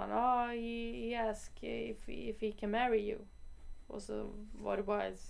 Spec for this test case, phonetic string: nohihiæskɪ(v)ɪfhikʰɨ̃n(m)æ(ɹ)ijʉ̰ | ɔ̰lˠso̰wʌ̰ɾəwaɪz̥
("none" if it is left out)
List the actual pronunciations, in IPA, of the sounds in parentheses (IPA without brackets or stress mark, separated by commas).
f, m, ɹ